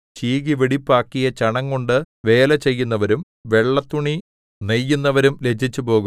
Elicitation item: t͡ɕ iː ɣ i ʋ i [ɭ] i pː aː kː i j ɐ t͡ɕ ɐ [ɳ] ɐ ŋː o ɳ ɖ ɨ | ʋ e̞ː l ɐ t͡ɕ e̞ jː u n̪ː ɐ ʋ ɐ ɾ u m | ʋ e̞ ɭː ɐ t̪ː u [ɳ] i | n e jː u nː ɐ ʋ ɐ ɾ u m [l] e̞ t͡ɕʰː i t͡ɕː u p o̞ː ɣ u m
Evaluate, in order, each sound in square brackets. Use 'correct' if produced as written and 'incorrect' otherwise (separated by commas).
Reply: incorrect, correct, correct, correct